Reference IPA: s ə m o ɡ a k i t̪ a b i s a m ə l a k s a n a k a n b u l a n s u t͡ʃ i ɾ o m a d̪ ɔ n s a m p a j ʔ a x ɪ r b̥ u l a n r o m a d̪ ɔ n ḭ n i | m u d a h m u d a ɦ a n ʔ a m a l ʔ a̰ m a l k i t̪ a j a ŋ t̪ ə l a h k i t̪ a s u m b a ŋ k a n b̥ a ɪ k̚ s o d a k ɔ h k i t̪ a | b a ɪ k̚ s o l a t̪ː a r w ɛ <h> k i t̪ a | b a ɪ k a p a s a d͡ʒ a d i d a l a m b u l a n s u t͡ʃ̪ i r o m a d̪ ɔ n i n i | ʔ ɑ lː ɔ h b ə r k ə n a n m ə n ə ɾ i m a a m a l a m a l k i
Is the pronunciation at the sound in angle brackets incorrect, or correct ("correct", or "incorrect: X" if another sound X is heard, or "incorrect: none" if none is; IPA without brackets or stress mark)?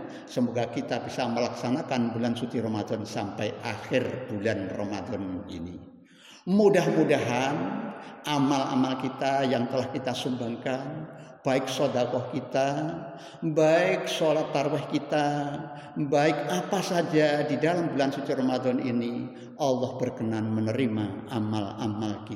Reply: correct